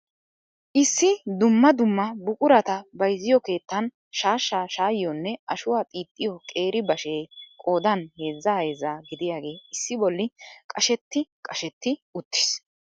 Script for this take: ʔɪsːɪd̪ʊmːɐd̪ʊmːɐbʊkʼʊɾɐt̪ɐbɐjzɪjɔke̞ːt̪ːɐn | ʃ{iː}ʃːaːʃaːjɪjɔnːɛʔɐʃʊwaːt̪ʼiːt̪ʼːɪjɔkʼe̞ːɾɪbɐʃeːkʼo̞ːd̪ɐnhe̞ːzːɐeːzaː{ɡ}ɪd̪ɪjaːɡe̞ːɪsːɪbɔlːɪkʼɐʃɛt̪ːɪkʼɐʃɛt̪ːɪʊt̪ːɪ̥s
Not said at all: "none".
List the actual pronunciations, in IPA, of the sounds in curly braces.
aː, ɡ

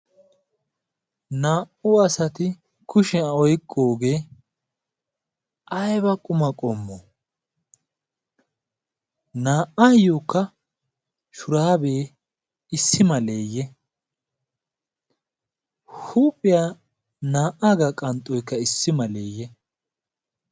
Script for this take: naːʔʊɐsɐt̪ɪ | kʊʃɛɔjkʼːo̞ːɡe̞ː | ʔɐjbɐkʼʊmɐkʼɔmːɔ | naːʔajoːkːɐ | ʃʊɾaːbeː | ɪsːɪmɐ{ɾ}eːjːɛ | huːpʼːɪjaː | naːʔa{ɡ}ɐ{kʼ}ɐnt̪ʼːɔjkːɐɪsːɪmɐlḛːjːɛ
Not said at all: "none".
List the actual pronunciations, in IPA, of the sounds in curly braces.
l, ɡ, kʼ

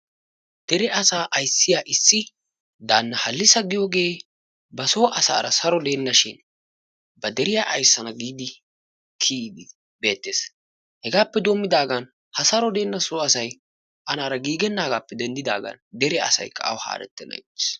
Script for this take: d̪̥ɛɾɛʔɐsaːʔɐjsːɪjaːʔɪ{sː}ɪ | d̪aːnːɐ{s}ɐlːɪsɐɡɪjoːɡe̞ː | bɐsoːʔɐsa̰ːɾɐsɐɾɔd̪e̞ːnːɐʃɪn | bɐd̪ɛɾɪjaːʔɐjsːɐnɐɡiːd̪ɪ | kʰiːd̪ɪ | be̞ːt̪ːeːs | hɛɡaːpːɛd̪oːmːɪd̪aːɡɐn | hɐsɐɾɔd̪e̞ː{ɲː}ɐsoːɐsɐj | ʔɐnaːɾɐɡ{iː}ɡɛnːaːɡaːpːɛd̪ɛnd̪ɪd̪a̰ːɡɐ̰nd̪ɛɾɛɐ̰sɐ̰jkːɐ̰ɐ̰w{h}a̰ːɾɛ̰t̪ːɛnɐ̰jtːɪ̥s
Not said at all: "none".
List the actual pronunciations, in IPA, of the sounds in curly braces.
sː, h, nː, iː, h

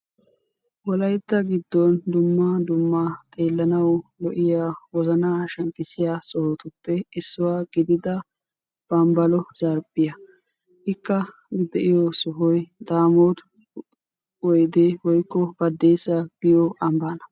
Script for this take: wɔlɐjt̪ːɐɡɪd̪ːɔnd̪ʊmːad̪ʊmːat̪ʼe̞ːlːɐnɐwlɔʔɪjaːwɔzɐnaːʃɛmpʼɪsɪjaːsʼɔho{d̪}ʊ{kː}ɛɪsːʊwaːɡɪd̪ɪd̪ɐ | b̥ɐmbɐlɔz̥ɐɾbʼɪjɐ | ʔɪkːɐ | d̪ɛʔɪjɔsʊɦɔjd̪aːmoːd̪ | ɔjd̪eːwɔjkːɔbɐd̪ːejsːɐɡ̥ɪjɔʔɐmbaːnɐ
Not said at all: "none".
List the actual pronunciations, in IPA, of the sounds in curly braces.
t̪, pː

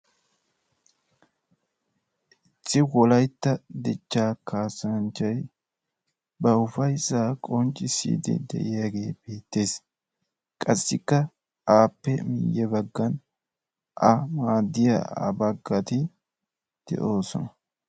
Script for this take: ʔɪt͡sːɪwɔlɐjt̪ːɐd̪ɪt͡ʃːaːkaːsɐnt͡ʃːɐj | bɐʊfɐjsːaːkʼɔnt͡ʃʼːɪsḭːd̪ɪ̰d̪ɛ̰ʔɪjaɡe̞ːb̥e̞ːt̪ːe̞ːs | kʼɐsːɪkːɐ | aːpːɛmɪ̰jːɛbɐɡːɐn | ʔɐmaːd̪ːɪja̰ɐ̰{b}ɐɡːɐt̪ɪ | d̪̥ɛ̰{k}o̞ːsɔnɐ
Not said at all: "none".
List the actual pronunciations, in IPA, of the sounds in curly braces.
b, ʔ

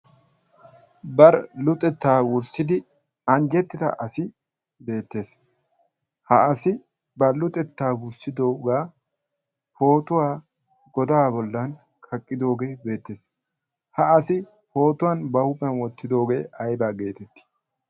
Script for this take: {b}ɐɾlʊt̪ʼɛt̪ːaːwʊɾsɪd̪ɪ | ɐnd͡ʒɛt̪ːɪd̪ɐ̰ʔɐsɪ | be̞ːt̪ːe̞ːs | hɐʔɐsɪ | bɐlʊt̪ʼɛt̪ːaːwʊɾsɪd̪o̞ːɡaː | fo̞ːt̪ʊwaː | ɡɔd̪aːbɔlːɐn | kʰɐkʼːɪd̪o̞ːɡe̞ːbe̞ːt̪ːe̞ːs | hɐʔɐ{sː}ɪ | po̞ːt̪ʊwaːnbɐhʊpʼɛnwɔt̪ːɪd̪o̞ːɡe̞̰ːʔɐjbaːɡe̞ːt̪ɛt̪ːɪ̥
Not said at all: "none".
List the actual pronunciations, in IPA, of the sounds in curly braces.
b, s

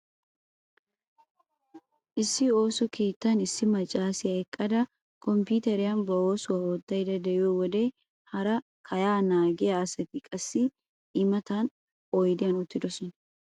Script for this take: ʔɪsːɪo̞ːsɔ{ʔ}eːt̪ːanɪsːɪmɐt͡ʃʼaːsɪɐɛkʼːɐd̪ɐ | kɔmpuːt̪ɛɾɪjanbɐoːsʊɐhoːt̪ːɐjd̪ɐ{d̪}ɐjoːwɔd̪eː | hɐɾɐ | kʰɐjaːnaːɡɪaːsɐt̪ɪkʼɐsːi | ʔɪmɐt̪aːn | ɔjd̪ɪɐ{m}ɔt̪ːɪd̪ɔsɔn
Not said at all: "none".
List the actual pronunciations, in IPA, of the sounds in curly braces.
k, d̪, n

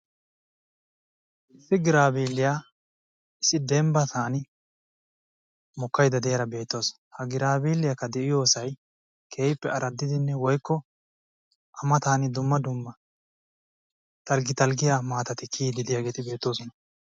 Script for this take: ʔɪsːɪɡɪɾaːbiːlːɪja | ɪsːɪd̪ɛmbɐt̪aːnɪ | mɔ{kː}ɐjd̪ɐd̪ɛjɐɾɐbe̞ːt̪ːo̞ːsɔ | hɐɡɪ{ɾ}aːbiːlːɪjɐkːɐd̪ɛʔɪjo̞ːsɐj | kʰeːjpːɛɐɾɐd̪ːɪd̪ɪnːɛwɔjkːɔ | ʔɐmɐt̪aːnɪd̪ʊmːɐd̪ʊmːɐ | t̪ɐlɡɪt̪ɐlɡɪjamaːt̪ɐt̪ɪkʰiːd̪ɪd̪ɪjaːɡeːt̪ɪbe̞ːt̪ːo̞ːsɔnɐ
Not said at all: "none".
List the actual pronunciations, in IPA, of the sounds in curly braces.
kː, ɾ

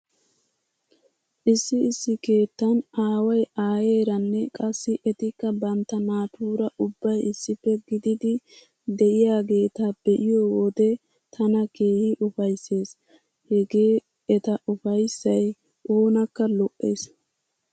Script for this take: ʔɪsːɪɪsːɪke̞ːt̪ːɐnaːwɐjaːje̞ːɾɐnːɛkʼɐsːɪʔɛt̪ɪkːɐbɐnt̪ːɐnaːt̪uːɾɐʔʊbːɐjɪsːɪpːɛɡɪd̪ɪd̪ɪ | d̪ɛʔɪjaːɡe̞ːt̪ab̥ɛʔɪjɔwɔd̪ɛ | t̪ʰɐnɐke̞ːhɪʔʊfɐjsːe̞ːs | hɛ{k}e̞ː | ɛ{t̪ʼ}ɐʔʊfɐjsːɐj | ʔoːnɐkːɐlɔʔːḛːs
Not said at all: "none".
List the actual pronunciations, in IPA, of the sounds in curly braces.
ɡ, t̪

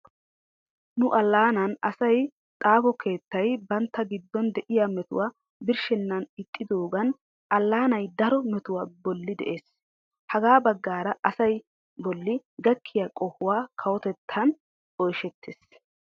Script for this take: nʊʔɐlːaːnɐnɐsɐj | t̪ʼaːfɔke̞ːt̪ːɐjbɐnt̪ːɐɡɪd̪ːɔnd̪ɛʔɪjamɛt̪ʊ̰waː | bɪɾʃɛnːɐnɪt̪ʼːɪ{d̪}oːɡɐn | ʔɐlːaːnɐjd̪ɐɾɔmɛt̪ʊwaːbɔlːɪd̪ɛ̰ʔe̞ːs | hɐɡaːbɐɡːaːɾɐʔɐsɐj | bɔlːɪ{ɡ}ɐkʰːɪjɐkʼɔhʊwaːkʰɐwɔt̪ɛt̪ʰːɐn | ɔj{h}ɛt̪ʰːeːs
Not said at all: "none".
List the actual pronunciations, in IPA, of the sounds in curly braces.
d̪, ɡ, ʃ

